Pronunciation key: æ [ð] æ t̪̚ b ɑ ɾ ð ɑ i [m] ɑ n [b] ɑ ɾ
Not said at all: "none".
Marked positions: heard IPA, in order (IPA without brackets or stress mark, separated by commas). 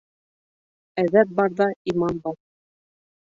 ð, m, b